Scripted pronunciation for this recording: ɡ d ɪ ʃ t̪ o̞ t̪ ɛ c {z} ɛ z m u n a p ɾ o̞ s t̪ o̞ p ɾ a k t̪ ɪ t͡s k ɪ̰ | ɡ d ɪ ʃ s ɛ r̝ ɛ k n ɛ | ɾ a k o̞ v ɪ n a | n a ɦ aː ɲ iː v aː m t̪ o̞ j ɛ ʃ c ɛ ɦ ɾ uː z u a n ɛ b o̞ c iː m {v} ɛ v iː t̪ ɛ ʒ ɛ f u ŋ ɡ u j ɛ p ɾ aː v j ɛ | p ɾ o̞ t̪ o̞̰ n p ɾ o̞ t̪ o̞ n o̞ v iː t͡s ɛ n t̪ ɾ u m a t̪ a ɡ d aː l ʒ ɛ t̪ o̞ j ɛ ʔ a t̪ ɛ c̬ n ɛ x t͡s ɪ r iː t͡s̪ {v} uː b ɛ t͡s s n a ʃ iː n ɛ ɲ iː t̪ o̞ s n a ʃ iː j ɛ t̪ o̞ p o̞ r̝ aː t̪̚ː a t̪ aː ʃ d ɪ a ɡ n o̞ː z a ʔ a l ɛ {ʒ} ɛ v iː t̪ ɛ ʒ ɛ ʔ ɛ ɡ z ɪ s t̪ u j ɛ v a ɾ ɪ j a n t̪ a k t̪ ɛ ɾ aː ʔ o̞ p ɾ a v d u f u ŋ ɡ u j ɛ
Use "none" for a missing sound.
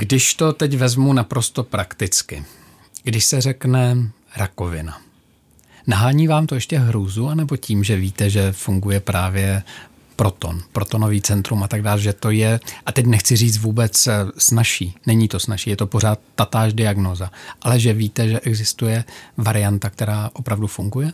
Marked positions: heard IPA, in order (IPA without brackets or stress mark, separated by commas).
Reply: v, ʒ, v, ʒ